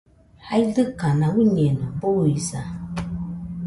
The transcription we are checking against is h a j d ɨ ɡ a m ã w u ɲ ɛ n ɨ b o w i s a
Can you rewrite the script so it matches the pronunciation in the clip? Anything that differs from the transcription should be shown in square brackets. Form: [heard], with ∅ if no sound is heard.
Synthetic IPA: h a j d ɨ [k] a [n] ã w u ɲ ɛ n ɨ b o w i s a